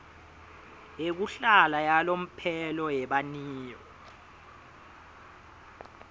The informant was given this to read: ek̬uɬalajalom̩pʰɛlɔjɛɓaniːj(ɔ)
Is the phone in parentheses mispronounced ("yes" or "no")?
no